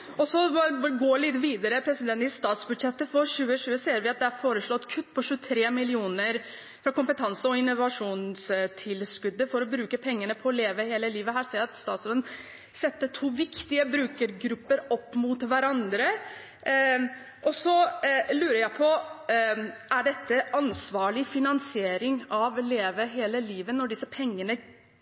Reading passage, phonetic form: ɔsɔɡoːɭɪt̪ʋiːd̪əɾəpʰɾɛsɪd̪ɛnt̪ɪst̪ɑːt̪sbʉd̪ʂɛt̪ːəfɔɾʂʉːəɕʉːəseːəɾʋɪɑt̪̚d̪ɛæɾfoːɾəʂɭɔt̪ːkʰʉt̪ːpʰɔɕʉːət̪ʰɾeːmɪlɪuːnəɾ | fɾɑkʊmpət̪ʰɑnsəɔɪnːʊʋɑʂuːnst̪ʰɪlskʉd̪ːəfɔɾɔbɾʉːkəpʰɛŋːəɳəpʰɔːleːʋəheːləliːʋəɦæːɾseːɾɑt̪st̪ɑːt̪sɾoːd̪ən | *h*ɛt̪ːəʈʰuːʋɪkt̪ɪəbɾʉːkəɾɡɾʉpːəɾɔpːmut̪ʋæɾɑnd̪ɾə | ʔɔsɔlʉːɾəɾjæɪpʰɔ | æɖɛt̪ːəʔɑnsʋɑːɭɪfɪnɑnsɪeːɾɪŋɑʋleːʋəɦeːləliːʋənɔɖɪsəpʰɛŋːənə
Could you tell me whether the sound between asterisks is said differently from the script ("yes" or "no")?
yes